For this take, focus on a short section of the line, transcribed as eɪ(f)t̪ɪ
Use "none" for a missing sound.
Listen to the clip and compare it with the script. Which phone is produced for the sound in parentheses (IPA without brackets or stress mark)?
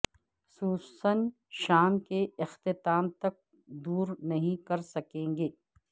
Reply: x